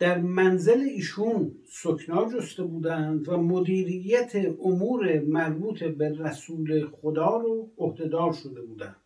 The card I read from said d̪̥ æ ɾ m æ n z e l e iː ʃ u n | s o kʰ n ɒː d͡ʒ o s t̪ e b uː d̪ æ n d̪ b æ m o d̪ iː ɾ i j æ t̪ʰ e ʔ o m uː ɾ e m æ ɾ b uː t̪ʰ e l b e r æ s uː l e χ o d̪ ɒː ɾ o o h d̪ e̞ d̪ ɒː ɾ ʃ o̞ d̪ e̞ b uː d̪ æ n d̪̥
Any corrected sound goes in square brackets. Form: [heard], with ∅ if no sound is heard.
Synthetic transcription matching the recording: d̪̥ æ ɾ m æ n z e l e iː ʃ u n | s o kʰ n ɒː d͡ʒ o s t̪ e b uː d̪ æ n d̪ [v] æ m o d̪ iː ɾ i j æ t̪ʰ e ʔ o m uː ɾ e m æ ɾ b uː t̪ʰ e [∅] b e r æ s uː l e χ o d̪ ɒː ɾ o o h d̪ e̞ d̪ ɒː ɾ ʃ o̞ d̪ e̞ b uː d̪ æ n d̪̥